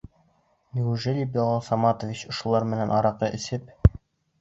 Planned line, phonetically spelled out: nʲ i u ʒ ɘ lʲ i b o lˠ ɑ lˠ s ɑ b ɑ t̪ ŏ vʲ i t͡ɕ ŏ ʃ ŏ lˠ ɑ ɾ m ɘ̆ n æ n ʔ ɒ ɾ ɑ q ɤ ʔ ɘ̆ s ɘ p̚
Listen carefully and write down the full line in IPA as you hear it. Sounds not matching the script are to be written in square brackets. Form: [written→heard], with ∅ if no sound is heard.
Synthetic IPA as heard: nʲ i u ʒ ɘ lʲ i b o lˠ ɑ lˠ s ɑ [b→m] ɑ t̪ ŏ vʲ i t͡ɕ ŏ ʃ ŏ lˠ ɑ ɾ m ɘ̆ n æ n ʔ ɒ ɾ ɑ q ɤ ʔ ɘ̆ s ɘ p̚